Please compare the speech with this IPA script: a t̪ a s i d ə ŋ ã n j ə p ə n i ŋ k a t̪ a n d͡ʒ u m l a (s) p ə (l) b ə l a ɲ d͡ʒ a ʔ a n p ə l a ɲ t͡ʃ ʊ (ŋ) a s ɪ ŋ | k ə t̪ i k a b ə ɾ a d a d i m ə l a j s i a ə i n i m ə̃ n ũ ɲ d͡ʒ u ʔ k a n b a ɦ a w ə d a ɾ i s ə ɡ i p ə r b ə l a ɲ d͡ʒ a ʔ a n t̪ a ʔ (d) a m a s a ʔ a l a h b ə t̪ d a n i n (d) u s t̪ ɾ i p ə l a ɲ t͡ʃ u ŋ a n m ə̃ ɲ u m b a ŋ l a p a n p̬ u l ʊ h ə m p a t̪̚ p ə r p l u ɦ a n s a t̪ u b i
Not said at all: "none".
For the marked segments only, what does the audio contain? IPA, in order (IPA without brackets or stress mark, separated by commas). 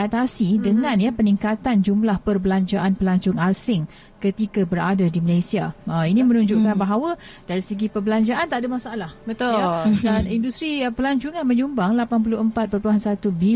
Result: h, r, ŋ, d, d